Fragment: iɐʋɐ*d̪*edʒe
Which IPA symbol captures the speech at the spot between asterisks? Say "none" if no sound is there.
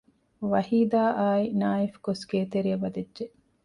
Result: d̪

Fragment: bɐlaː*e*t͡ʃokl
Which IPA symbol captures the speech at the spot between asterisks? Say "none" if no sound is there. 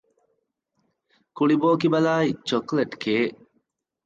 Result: i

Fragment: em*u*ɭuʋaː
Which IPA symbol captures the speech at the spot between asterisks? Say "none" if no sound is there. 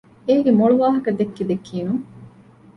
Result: o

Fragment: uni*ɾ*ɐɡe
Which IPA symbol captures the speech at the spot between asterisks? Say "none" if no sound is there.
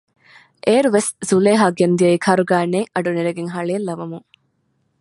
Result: ɾ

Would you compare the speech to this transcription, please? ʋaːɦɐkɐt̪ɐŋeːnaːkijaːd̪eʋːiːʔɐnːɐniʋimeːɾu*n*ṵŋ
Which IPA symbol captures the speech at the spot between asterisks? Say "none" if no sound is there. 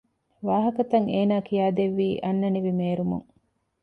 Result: m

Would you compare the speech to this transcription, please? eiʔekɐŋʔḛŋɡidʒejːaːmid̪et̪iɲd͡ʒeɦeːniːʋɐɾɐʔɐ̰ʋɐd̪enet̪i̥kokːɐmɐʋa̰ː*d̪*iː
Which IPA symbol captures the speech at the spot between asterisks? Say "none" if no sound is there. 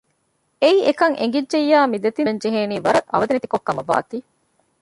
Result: t̪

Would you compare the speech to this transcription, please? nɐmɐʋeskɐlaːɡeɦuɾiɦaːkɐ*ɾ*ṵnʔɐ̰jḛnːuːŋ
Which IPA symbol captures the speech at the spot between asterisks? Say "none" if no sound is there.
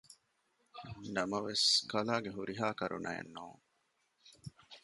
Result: ɾ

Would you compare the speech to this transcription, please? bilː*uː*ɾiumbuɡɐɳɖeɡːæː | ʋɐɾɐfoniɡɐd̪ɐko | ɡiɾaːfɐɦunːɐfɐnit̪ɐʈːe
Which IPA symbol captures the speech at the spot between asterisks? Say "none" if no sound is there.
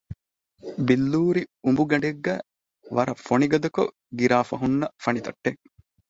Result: uː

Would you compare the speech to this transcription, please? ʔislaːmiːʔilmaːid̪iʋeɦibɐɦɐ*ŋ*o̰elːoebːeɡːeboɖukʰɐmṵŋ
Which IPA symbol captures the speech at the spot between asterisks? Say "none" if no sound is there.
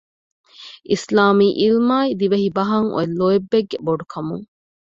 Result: ŋ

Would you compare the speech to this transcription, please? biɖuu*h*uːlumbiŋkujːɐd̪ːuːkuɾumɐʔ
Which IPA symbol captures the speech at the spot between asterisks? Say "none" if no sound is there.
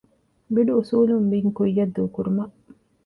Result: s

